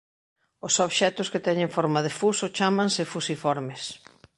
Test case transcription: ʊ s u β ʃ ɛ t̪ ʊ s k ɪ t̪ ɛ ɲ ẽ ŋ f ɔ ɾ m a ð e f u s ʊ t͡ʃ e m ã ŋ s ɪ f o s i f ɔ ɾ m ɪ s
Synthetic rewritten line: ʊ s o β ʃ ɛ t̪ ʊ s k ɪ t̪ ɛ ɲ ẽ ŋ f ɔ ɾ m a ð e f u s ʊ t͡ʃ a m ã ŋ s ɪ f u s i f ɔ ɾ m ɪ s